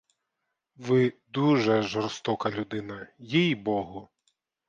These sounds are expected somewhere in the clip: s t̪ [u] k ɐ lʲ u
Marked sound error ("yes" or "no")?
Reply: yes